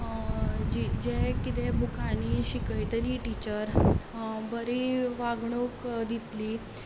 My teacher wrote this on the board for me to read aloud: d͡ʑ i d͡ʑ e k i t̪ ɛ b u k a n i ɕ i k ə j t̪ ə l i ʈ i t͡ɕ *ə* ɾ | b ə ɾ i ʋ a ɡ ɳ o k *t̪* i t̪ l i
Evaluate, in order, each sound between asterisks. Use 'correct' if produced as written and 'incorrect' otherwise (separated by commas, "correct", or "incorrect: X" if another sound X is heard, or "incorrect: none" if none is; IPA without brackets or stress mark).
correct, incorrect: d̪